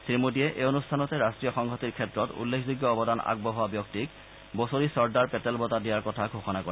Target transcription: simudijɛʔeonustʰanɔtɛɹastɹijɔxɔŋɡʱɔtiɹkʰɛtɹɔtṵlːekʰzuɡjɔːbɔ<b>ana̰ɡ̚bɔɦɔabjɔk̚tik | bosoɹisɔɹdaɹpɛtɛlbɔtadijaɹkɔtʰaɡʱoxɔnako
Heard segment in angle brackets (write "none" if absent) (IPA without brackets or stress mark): d